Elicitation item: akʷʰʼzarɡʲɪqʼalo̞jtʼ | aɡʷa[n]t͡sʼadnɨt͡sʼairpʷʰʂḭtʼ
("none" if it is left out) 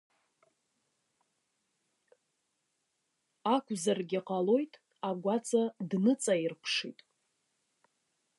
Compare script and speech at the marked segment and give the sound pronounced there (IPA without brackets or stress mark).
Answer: none